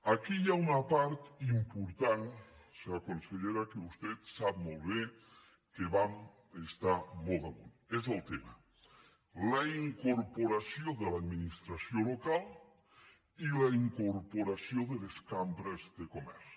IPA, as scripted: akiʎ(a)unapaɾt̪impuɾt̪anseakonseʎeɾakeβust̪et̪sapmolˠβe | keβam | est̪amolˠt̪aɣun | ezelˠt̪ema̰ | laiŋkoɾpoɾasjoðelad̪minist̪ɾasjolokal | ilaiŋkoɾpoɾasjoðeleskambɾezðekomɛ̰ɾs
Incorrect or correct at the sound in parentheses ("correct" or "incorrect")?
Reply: correct